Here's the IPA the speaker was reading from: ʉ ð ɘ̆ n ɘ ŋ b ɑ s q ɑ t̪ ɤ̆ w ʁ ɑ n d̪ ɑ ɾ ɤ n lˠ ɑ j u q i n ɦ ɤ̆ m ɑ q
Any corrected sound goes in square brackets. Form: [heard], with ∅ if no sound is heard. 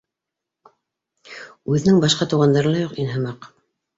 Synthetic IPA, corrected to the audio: ʉ ð ɘ̆ n ɘ ŋ b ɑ [ʃ] q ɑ t̪ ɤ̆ w ʁ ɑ n d̪ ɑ ɾ ɤ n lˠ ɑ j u q i n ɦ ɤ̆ m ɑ q